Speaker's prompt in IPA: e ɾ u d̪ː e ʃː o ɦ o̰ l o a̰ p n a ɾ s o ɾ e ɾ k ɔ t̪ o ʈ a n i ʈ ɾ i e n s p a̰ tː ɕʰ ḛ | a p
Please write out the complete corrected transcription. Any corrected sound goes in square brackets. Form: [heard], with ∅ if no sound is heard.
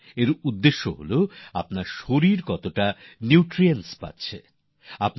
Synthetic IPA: e ɾ u d̪ː e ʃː o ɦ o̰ l o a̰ p n a ɾ [ʃ] o ɾ [i] ɾ k ɔ t̪ o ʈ a n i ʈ ɾ i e n s p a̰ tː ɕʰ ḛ | a p

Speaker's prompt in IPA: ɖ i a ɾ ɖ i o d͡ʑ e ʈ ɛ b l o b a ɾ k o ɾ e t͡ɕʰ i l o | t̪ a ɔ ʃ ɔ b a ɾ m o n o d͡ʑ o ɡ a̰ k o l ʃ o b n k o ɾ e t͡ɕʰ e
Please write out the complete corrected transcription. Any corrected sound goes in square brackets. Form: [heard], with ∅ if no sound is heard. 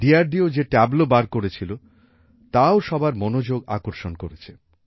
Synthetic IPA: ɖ i a ɾ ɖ i o d͡ʑ e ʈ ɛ b l o b a ɾ k o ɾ e t͡ɕʰ i l o | t̪ a [o] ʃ ɔ b a ɾ m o n o d͡ʑ o ɡ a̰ k o [ɾ] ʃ o [∅] n k o ɾ e t͡ɕʰ e

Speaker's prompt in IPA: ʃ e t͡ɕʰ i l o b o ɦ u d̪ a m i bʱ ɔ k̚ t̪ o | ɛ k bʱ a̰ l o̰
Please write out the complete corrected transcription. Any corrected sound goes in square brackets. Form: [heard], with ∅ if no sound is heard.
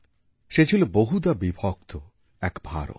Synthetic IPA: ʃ e t͡ɕʰ i l o b o ɦ u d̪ a [b] i bʱ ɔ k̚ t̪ o | ɛ k bʱ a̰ [ɾ] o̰

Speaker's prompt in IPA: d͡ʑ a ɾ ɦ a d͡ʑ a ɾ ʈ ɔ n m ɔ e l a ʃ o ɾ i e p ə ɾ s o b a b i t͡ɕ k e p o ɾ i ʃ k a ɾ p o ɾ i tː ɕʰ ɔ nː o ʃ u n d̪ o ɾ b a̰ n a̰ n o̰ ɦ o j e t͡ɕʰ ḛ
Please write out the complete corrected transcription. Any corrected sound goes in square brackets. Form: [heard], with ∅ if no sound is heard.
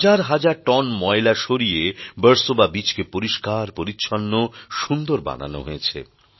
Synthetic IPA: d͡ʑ a ɾ ɦ a d͡ʑ a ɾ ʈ ɔ n m ɔ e l a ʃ o ɾ i e [b] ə ɾ s o b a b i t͡ɕ k e p o ɾ i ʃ k a ɾ p o ɾ i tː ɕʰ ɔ nː o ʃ u n d̪ o ɾ b a̰ n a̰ n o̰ ɦ o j e t͡ɕʰ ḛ

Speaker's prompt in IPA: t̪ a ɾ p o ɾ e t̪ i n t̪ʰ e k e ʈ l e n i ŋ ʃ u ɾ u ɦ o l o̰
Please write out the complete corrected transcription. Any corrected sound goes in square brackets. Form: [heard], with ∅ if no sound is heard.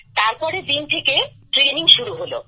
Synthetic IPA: t̪ a ɾ p [ɔ] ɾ e [d̪] i n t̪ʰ e k e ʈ [ɾ] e n i ŋ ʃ u ɾ u ɦ o l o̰

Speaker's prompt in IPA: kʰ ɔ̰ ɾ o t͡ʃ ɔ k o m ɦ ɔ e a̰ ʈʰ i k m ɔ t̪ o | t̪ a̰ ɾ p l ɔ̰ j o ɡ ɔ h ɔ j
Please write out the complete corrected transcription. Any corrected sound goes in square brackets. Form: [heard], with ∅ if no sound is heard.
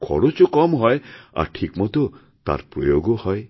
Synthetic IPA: kʰ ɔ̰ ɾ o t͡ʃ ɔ k [ɔ] m ɦ ɔ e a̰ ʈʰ i k m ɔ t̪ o | t̪ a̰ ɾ p [ɾ] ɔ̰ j o ɡ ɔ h ɔ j

